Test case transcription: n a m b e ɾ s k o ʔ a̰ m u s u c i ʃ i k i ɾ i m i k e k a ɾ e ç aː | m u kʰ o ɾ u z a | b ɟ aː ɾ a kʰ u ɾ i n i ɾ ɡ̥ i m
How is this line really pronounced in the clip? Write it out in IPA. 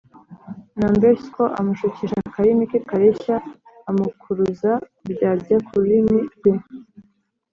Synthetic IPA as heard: n a m b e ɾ s k o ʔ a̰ m u ʃ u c i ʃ a k a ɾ i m i k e k a ɾ e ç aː | m u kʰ u ɾ u z a | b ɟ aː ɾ a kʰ u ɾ i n i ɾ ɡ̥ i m